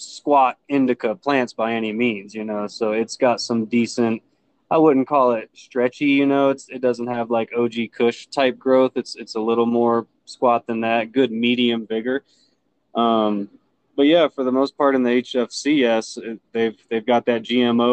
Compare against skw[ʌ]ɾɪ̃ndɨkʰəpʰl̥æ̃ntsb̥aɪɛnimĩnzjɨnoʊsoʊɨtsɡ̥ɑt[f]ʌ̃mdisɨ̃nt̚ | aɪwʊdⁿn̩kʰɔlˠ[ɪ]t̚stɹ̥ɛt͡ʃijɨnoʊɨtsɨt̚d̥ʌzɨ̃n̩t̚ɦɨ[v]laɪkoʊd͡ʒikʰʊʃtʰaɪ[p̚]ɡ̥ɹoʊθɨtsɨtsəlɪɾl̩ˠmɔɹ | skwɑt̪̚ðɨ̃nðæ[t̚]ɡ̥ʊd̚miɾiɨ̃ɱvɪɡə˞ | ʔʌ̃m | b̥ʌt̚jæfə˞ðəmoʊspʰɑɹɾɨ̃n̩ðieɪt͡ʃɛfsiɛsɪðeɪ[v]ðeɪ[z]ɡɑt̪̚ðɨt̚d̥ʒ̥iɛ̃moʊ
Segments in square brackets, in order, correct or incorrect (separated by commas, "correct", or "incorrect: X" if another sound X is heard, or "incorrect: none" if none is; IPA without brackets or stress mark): incorrect: ɑ, incorrect: s, correct, correct, correct, correct, correct, incorrect: v